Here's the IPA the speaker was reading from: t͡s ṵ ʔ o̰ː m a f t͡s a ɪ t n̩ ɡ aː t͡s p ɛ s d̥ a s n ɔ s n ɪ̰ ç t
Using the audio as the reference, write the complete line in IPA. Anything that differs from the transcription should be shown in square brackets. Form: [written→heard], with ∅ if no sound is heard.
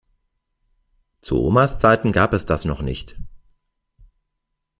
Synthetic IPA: t͡s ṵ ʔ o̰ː m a [f→s] t͡s a ɪ t n̩ ɡ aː [t͡s→∅] p ɛ s d̥ a s n ɔ [s→χ] n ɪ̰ ç t